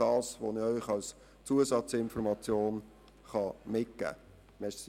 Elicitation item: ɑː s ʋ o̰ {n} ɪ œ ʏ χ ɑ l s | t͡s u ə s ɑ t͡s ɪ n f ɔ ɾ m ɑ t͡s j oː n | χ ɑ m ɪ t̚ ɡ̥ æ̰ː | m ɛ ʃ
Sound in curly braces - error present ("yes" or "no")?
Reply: no